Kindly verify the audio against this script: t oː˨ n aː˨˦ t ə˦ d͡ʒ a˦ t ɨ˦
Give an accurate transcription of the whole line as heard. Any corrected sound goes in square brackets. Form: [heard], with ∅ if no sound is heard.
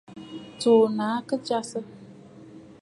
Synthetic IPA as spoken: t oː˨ n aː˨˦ [k] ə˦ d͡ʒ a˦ [s] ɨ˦